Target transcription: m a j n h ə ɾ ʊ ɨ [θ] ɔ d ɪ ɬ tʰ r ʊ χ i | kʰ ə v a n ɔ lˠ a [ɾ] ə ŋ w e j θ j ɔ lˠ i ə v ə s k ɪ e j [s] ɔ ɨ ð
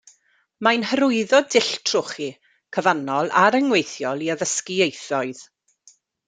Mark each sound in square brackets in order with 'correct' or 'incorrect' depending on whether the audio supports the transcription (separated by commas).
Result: incorrect, correct, incorrect